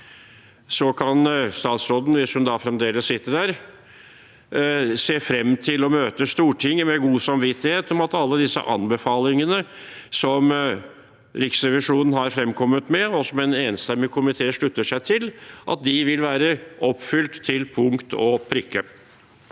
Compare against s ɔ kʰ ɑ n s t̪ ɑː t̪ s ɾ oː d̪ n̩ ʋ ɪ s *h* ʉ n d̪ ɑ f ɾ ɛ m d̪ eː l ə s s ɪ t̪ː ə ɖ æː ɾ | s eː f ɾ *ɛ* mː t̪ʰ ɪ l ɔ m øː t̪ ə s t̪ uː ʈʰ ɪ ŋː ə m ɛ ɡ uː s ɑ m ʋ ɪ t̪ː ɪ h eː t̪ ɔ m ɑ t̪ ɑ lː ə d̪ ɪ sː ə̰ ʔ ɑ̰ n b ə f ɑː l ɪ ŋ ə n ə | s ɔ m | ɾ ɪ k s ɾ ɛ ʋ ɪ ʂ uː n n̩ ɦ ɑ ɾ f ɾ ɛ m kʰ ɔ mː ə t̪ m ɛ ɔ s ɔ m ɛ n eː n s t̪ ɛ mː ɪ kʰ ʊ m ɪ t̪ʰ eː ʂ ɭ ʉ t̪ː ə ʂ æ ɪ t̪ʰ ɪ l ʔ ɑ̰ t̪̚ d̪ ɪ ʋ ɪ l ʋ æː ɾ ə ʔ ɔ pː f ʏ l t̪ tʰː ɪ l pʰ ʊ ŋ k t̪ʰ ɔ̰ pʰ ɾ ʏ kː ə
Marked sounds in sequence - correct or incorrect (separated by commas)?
correct, correct